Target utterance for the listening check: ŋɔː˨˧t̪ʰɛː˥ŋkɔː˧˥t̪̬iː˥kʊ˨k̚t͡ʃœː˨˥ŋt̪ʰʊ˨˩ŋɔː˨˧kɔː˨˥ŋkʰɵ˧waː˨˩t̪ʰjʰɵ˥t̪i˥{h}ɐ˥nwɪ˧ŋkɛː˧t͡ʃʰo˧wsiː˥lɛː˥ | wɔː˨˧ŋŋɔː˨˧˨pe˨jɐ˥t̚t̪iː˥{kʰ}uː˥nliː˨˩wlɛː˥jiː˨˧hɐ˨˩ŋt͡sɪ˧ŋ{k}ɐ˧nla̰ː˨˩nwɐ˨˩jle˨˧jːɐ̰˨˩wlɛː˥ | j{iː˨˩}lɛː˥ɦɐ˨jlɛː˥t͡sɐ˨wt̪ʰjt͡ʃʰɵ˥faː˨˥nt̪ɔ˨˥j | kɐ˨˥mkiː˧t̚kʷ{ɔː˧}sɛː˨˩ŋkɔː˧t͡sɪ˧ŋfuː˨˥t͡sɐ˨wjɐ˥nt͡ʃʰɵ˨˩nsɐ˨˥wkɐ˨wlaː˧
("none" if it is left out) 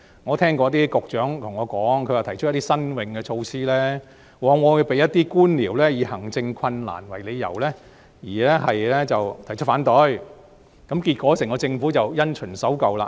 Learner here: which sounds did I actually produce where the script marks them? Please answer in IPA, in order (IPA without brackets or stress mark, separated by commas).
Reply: s, k, kʰ, iː˨˩, ɔː˨˥